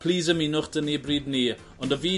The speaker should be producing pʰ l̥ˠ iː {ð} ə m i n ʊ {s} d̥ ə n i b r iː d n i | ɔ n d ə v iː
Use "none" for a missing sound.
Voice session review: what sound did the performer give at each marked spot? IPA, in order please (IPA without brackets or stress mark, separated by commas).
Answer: z, χ